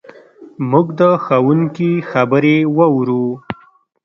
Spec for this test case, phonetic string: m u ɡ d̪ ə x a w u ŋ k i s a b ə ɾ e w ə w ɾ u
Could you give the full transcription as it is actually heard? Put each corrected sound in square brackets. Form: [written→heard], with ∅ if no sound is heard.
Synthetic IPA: m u ɡ d̪ ə x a w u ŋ k i [s→x] a b ə ɾ e w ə w ɾ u